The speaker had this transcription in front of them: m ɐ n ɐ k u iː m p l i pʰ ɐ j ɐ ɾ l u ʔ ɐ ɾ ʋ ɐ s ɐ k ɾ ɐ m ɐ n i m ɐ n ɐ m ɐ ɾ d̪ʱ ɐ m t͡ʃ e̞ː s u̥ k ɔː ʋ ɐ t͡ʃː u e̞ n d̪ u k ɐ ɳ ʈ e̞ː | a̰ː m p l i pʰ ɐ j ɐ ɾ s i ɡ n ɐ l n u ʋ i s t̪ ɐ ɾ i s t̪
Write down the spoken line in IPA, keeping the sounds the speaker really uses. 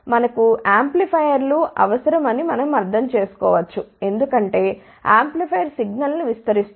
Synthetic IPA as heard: m ɐ n ɐ k u aː m p l i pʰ ɐ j ɐ ɾ l u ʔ ɐ ʋ ɐ s ɐ ɾ ɐ m ɐ n i m ɐ n ɐ m ɐ ɾ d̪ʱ ɐ m t͡ʃ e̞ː s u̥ k ɔː ʋ ɐ t͡ʃː u e̞ n d̪ u k ɐ ɳ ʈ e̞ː | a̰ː m p l i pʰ ɐ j ɐ ɾ s i ɡ n ɐ l n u ʋ i s t̪ ɐ ɾ i s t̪